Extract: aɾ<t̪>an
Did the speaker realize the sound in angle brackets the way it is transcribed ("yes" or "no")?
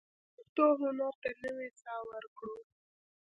yes